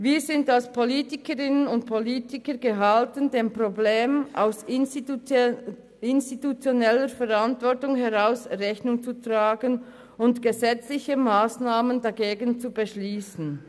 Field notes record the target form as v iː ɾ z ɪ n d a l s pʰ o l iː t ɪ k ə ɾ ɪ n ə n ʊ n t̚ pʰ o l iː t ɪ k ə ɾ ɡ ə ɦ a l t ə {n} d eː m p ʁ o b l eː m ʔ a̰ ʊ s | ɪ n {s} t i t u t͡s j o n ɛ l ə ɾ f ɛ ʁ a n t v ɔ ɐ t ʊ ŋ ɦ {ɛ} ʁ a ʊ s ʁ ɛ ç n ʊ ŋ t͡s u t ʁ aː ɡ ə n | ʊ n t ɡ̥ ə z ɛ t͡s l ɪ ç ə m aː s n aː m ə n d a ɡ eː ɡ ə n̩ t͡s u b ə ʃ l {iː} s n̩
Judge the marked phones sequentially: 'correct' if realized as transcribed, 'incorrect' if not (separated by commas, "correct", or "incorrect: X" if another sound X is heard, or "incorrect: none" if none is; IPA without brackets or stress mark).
correct, correct, correct, correct